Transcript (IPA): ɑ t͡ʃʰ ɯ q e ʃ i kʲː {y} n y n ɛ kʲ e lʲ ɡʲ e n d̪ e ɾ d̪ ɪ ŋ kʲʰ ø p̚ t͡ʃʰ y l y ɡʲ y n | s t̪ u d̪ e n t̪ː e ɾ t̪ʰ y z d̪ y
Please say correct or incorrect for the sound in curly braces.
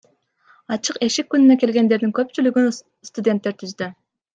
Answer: correct